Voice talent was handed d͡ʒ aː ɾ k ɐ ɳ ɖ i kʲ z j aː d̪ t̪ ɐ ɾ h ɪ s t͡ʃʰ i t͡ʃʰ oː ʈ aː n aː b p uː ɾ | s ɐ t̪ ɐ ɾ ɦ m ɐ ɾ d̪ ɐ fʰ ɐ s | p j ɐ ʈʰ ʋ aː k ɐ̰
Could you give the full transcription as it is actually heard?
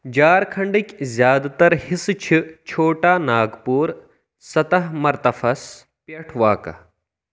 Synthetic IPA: d͡ʒ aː ɾ kʰ ɐ ɳ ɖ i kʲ z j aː d̪ t̪ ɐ ɾ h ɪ s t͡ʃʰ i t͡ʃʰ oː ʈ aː n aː ɡ p uː ɾ | s ɐ t̪ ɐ ɦ m ɐ ɾ t̪ ɐ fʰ ɐ s | p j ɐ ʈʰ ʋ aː k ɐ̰